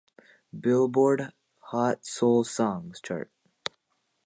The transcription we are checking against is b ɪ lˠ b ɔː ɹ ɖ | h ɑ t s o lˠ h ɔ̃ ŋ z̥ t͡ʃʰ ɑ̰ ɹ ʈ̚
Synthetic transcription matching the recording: b ɪ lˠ b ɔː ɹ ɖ | h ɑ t s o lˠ s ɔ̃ ŋ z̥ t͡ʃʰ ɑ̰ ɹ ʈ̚